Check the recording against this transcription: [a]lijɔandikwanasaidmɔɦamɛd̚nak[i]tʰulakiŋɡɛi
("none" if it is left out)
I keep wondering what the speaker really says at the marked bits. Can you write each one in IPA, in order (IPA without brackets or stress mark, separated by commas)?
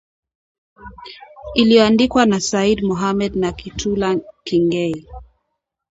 i, i